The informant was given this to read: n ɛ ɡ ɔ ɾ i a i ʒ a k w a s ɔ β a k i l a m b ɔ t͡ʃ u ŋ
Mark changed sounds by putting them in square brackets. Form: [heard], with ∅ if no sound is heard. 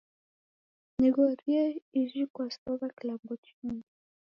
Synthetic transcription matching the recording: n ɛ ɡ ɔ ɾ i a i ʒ [i] k w a s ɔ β a k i l a m b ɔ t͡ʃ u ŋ

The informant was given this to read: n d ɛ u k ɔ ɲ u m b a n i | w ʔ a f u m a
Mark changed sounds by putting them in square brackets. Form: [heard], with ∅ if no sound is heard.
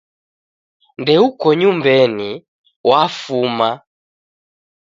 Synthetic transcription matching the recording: n d ɛ u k ɔ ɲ u m b [ɛ] n i | w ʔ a f u m a

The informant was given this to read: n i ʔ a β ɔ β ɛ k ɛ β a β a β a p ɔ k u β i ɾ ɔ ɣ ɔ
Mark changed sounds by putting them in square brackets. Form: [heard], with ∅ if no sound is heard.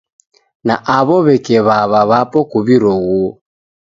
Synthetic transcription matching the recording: n [a] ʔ a β ɔ β ɛ k ɛ β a β a β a p ɔ k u β i ɾ ɔ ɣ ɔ

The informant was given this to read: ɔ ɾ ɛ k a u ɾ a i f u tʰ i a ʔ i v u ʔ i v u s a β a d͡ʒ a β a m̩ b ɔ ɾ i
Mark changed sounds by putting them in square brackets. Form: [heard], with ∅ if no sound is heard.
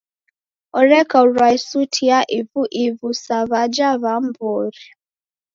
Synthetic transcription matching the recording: ɔ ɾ ɛ k a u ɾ a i [s] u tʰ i a ʔ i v u ʔ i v u s a β a d͡ʒ a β a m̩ b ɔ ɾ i

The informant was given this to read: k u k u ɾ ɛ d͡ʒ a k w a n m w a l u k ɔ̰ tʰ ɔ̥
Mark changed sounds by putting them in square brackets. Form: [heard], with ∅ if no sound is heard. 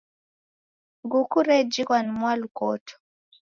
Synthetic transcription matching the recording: [ɡ] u k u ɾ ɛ d͡ʒ [i] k w a n m w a l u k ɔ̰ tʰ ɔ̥

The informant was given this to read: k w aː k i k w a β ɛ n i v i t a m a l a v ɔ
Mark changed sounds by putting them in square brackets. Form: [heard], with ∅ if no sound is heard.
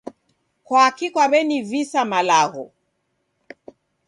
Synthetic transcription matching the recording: k w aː k i k w a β ɛ n i v i [s] a m a l a [ɣ] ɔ

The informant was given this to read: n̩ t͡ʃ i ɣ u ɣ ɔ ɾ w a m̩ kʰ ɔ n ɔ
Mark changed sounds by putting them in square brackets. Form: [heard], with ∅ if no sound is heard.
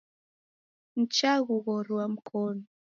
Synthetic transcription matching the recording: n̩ t͡ʃ [a] ɣ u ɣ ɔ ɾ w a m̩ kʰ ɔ n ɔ

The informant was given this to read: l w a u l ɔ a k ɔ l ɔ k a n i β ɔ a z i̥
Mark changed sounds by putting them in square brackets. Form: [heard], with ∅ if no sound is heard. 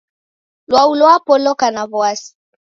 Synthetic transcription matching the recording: l w a u l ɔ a [p] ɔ l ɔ k a n [a] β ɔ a [s] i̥

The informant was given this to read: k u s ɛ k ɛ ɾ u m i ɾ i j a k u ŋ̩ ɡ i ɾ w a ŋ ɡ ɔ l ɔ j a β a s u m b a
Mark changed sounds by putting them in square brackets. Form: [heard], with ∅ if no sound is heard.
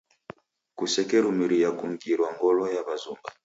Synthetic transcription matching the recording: k u s ɛ k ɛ ɾ u m i ɾ i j a k u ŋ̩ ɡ i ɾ w a ŋ ɡ ɔ l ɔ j a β a [z] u m b a

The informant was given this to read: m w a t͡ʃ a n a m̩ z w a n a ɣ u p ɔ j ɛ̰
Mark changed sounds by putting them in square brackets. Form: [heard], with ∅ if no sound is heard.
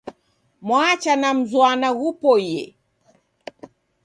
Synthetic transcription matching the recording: m w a t͡ʃ a n a m̩ z w a n a ɣ u p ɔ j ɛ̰

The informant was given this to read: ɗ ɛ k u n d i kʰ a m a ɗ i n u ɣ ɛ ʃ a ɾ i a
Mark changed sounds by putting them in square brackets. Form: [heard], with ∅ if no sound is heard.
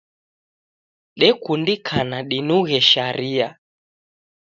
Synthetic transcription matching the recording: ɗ ɛ k u n d i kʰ a [n] a ɗ i n u ɣ ɛ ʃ a ɾ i a

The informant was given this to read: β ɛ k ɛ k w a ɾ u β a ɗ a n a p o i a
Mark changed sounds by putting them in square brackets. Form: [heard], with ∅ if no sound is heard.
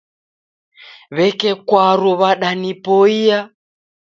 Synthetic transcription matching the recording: β ɛ k ɛ k w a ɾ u β a ɗ a n [i] p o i a

